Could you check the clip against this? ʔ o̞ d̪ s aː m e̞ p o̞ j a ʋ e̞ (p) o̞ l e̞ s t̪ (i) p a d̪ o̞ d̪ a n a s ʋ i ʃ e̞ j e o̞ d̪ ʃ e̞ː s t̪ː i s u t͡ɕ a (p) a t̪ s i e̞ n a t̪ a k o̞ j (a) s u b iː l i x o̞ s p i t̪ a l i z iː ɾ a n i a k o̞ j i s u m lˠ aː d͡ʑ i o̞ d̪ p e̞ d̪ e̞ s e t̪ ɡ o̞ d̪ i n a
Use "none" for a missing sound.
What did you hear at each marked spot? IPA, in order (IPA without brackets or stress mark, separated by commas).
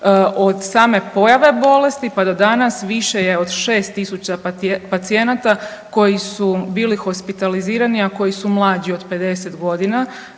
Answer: b, i, p, i